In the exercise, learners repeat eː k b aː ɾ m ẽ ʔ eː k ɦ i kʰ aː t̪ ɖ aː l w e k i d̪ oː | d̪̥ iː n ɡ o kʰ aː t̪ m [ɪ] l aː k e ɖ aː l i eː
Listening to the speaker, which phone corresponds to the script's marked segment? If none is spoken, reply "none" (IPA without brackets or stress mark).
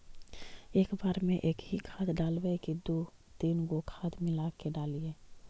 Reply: ɪ